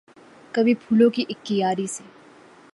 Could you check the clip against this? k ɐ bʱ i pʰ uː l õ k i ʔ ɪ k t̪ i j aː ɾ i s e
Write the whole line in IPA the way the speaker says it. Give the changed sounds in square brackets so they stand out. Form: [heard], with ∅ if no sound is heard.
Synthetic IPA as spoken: k ɐ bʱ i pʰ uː l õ k i ʔ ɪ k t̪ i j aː ɾ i s e

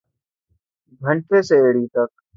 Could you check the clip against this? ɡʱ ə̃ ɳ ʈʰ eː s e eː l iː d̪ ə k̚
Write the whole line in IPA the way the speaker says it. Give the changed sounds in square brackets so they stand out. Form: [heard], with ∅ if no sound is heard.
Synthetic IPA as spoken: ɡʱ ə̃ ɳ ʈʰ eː s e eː [ɽ] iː [t̪] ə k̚

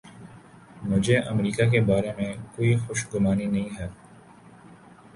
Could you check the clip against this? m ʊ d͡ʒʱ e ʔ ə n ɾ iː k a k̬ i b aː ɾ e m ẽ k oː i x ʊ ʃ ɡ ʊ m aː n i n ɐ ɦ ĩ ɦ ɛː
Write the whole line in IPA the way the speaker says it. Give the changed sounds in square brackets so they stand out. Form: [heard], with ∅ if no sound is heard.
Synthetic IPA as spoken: m ʊ d͡ʒʱ e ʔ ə [m] ɾ iː k a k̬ [e] b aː ɾ e m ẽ k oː i x ʊ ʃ ɡ ʊ m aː n i n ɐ ɦ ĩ ɦ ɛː

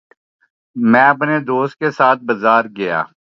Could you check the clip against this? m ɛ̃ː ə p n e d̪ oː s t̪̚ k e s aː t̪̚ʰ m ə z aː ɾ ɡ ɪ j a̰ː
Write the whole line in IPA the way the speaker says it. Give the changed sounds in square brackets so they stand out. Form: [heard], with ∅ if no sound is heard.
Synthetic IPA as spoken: m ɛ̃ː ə p n e d̪ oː s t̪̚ k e s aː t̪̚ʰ [b] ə z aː ɾ ɡ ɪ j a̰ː

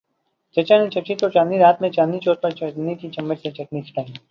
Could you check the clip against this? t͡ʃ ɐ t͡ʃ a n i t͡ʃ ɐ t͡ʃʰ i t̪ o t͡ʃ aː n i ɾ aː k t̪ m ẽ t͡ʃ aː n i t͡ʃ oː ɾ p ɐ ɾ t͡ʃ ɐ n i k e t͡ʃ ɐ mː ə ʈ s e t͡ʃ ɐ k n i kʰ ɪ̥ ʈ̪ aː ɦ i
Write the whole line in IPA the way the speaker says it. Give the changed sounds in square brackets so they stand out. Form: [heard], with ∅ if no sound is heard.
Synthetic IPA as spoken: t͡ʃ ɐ t͡ʃ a n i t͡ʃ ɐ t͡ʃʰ i t̪ o t͡ʃ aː n i ɾ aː [∅] t̪ m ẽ t͡ʃ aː n i t͡ʃ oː ɾ p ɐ ɾ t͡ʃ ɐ n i k [i] t͡ʃ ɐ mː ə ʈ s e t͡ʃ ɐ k n i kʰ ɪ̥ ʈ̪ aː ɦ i

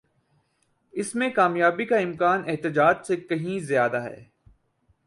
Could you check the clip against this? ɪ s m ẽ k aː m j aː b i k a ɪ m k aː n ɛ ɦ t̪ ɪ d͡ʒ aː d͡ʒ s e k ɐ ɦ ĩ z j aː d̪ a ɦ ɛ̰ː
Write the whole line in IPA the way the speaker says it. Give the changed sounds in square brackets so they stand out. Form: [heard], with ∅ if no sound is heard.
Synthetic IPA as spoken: ɪ s m ẽ k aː m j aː b i k a ɪ m k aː n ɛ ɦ t̪ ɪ d͡ʒ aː d͡ʒ s e k ɐ ɦ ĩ z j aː d̪ a ɦ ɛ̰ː

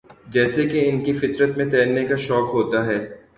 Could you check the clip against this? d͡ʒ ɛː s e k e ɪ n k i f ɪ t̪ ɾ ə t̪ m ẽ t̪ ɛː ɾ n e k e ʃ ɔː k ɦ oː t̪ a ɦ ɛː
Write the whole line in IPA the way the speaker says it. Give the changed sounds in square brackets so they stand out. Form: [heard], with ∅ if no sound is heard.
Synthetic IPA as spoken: d͡ʒ ɛː s e k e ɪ n k i f ɪ t̪ ɾ ə t̪ m ẽ t̪ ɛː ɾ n e k [a] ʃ ɔː k ɦ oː t̪ a ɦ ɛː

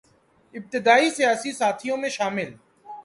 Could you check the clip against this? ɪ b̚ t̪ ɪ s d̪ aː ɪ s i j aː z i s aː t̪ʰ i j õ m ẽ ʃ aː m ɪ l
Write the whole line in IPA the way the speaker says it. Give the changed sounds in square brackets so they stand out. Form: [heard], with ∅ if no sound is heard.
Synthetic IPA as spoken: ɪ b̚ t̪ ɪ [∅] d̪ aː [i] s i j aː [s] i s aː t̪ʰ i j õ m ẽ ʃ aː m ɪ l

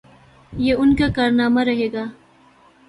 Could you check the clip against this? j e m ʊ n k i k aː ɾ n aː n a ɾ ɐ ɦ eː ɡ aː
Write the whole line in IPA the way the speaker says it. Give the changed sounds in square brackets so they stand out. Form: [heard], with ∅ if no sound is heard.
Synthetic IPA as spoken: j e [∅] ʊ n k [a] k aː ɾ n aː [m] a ɾ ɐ ɦ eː ɡ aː

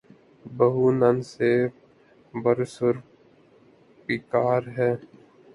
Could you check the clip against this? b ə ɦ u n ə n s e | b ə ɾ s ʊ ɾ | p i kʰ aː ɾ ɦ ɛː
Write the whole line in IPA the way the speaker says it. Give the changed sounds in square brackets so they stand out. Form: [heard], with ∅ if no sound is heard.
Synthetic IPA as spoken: b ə ɦ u n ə n s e | b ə ɾ s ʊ ɾ | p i [k] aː ɾ ɦ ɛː

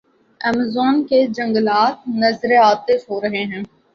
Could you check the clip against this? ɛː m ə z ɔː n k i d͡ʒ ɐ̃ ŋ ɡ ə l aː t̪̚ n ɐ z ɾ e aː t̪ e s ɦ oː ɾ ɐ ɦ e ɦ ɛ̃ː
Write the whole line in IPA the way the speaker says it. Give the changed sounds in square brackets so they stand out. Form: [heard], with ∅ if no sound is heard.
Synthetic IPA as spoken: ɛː m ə z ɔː n k [e] d͡ʒ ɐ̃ ŋ ɡ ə l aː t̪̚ n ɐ z ɾ e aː t̪ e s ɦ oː ɾ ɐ ɦ e ɦ ɛ̃ː

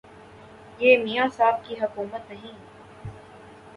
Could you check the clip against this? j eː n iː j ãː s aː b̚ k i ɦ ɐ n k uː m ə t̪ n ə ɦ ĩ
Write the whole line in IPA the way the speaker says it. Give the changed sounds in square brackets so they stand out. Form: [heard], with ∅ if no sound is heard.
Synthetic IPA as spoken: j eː [m] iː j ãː s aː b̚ k i ɦ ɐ [∅] k uː m ə t̪ n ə ɦ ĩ

